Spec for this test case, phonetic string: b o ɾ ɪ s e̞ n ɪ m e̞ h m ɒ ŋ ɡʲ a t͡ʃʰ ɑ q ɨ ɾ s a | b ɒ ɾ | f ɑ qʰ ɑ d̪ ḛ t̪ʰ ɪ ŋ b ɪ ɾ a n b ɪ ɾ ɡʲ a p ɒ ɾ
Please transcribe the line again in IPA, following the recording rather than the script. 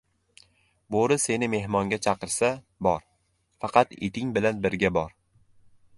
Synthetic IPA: b o ɾ ɪ s e̞ n ɪ m e̞ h m ɒ ŋ ɡʲ a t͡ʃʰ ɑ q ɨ ɾ s a | b ɒ ɾ | f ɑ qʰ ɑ t̪ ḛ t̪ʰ ɪ ŋ b ɪ l a n b ɪ ɾ ɡʲ a b ɒ ɾ